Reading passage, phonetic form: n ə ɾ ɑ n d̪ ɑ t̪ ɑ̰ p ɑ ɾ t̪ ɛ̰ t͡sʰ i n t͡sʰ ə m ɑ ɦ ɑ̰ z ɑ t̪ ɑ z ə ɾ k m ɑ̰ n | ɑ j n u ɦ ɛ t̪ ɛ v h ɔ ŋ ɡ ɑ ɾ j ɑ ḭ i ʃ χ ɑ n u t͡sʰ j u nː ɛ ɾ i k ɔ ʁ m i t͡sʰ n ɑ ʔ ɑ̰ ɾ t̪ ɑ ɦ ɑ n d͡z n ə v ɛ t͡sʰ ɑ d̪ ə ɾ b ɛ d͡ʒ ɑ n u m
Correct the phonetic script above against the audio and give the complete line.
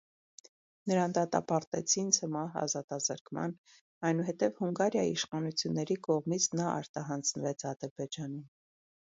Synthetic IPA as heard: n ə ɾ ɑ n d̪ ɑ t̪ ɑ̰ p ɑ ɾ t̪ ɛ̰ t͡sʰ i n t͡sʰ ə m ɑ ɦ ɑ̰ z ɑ t̪ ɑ z ə ɾ k m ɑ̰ n | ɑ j n u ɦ ɛ t̪ ɛ v h u ŋ ɡ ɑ ɾ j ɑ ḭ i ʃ χ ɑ n u t͡sʰ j u nː ɛ ɾ i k ɔ ʁ m i t͡sʰ n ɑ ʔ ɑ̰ ɾ t̪ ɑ ɦ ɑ n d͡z n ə v ɛ t͡sʰ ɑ d̪ ə ɾ b ɛ d͡ʒ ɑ n u m